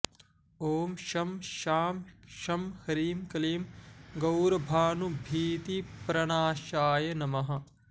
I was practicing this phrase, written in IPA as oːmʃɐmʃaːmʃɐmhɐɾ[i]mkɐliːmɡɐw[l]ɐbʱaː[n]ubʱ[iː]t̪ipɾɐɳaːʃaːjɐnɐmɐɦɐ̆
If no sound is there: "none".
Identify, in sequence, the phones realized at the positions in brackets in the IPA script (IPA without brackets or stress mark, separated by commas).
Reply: iː, ɾ, n, iː